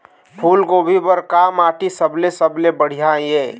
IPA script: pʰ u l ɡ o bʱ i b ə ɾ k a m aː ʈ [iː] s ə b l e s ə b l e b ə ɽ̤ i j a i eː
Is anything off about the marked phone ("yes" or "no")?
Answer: yes